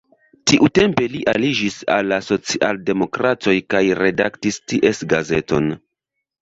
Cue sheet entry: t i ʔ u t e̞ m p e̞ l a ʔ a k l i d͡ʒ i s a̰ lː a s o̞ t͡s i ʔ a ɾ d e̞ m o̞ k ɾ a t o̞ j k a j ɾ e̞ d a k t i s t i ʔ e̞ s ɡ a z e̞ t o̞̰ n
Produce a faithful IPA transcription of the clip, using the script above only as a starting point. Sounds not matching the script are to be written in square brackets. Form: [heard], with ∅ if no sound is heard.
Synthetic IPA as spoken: t i ʔ u t e̞ m p e̞ l [i] ʔ a [∅] l i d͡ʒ i s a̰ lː a s o̞ t͡s i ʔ a [l] d e̞ m o̞ k ɾ a t o̞ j k a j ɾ e̞ d a k t i s t i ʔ e̞ s ɡ a z e̞ t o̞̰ n